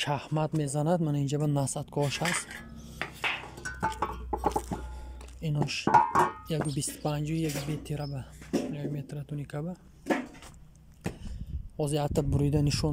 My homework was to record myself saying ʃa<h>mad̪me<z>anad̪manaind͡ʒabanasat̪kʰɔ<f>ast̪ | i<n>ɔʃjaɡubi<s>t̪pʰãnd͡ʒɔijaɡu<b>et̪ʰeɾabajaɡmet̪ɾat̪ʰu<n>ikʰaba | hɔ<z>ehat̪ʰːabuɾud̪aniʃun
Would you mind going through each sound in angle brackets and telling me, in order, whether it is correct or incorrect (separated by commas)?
correct, correct, incorrect, correct, correct, correct, correct, correct